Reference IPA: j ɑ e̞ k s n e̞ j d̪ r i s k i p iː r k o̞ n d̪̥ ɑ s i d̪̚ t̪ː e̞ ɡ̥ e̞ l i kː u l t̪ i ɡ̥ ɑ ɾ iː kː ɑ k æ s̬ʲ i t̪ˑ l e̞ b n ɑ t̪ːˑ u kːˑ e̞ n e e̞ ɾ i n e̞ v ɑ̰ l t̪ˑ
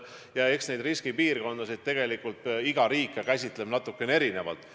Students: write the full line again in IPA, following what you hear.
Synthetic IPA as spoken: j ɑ e̞ k s n e̞ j d̪ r i s k i p iː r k o̞ n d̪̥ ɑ s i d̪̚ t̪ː e̞ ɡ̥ e̞ l i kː u l t̪ i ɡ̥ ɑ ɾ iː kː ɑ k æ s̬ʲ i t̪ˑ l e̞ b n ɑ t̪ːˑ u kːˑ e̞ n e e̞ ɾ i n e̞ v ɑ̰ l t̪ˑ